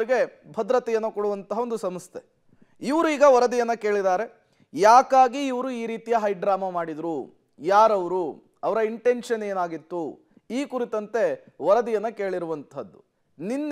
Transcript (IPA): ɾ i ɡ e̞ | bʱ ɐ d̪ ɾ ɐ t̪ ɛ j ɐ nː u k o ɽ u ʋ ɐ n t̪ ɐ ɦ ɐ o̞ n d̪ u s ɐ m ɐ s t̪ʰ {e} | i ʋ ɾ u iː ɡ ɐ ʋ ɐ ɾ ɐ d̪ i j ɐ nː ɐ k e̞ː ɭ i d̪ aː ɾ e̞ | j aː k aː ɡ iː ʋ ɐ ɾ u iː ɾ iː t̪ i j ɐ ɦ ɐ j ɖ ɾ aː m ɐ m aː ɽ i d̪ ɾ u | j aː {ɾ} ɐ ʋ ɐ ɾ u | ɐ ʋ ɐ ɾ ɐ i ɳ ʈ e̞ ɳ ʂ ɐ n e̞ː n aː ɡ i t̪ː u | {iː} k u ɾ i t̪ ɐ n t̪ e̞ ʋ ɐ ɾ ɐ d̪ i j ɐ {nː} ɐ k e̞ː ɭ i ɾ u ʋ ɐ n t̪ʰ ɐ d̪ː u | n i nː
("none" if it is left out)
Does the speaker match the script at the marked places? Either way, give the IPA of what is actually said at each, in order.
e, ɾ, iː, nː

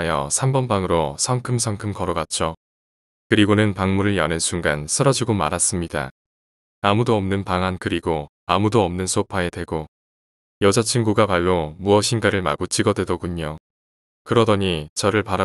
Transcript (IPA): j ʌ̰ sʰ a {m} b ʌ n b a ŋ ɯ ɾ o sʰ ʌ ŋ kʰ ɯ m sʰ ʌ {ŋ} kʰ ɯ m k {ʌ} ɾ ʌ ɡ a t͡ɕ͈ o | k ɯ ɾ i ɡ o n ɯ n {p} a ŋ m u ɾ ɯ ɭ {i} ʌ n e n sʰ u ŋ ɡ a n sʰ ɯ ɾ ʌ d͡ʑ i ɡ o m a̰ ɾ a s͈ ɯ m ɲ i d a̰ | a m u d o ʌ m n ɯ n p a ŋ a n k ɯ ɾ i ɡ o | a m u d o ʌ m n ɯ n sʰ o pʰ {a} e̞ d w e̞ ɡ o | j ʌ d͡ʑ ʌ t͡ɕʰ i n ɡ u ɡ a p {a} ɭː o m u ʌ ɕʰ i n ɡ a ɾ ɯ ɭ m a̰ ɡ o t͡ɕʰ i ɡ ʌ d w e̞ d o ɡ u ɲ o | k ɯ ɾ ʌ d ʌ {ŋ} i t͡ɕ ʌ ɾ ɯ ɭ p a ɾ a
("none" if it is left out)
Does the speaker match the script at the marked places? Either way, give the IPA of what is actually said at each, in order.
m, ŋ, ʌ, p, j, a, a, ɲ

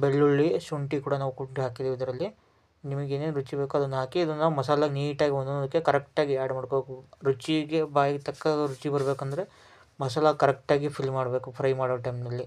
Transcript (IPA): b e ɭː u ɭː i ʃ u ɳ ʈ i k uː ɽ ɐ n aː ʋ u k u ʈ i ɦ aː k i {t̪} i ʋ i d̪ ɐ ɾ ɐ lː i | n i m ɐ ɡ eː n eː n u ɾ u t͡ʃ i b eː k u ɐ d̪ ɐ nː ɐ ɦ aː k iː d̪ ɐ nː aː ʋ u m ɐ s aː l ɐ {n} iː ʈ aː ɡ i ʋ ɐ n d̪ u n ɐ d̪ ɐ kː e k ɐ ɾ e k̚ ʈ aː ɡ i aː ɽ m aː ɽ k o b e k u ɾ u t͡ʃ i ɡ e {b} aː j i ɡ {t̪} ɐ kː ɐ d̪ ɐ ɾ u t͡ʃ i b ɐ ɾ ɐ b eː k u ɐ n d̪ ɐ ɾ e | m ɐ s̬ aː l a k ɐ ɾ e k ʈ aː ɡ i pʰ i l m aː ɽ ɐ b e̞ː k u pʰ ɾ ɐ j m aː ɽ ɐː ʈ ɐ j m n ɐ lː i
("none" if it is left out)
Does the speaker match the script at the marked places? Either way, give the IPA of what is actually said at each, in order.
d̪, n, b, t̪

